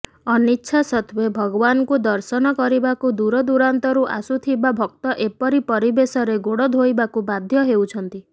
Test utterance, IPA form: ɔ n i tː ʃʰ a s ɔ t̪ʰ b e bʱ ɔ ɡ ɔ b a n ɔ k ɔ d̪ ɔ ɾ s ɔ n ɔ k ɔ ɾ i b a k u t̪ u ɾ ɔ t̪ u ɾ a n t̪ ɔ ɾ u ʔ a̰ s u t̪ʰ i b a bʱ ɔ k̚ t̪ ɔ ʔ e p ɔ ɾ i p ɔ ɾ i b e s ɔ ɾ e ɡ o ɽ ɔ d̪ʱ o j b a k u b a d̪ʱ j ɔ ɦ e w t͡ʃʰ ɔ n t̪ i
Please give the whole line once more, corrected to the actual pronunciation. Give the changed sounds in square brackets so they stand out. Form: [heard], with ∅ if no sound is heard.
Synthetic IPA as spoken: ɔ n i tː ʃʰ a s ɔ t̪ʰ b e bʱ ɔ ɡ ɔ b a n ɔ k [u] d̪ ɔ ɾ s ɔ n ɔ k ɔ ɾ i b a k u [d̪] u ɾ ɔ [d̪] u ɾ a n t̪ ɔ ɾ u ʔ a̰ s u t̪ʰ i b a bʱ ɔ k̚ t̪ ɔ ʔ e p ɔ ɾ i p ɔ ɾ i b e s ɔ ɾ e ɡ o ɽ ɔ d̪ʱ o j b a k u b a d̪ʱ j ɔ ɦ e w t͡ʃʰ ɔ n t̪ i